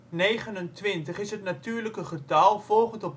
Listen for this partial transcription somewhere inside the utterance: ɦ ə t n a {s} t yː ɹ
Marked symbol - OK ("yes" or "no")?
no